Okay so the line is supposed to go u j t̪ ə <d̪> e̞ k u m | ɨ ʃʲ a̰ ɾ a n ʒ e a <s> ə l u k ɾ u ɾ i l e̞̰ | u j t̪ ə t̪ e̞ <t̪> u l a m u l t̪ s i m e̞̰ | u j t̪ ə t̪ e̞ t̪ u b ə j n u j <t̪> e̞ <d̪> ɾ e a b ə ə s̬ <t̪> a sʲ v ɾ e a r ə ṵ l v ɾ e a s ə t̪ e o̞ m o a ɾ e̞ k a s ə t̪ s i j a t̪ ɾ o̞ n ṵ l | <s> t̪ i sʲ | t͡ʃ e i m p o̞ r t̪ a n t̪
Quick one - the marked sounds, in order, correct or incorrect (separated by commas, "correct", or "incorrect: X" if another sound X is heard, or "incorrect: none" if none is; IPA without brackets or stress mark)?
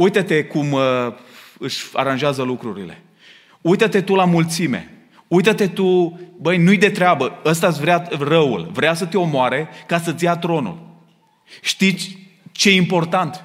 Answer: incorrect: t̪, incorrect: z, correct, incorrect: d̪, incorrect: t̪, correct, incorrect: ʃ